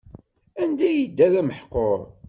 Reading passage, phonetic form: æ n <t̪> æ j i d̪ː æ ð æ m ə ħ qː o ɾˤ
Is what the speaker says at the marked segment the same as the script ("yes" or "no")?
no